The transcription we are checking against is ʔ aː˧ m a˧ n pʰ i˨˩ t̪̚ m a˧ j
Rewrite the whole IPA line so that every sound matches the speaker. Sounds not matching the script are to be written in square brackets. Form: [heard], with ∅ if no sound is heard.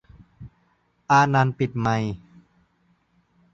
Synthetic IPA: ʔ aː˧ [n] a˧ n [p] i˨˩ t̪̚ m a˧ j